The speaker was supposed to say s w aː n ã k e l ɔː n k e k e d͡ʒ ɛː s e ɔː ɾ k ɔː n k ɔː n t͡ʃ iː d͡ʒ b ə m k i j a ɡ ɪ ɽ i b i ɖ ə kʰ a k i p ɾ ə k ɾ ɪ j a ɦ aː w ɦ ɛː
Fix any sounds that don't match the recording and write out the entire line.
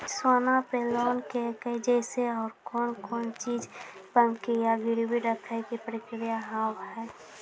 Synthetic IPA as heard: s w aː n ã p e l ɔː n k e k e d͡ʒ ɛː s e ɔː ɾ k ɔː n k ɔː n t͡ʃ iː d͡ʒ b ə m k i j a ɡ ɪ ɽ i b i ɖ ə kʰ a k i p ɾ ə k ɾ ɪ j a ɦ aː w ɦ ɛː